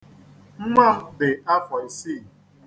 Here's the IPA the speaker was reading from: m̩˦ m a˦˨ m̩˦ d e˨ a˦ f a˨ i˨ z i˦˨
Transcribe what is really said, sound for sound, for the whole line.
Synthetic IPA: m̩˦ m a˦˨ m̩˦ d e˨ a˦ f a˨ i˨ s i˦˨